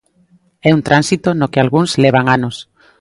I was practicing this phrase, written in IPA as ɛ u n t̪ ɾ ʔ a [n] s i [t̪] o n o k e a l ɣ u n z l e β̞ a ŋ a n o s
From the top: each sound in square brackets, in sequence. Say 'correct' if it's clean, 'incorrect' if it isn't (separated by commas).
correct, correct